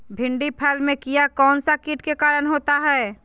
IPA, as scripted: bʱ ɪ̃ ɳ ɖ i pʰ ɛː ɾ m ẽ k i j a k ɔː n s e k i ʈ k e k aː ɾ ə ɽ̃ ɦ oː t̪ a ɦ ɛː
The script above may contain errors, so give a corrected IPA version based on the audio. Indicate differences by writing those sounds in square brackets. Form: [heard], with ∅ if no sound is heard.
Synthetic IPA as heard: bʱ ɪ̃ ɳ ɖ i pʰ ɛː [l] m ẽ k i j a k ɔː n s [a] k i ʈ k e k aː ɾ ə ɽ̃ ɦ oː t̪ a ɦ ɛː